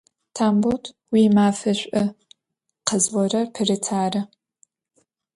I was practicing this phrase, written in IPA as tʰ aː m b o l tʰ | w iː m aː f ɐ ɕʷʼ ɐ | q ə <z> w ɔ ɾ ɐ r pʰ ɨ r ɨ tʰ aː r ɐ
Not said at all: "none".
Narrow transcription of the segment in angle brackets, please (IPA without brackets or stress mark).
z